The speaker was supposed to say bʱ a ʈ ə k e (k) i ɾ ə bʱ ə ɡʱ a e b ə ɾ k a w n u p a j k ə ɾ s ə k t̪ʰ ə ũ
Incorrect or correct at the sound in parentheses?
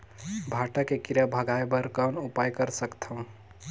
correct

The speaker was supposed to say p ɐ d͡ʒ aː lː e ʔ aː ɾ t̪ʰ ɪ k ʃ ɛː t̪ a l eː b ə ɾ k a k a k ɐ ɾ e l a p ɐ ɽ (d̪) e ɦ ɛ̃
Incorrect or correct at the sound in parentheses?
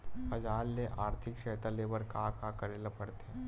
incorrect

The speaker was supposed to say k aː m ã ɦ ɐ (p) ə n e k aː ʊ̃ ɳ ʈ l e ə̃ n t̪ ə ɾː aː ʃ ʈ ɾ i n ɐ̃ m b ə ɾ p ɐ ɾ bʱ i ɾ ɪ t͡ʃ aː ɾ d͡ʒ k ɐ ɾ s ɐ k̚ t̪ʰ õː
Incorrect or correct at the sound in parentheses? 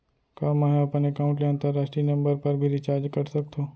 correct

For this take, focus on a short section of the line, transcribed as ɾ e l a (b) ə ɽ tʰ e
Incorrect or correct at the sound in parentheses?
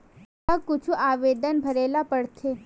incorrect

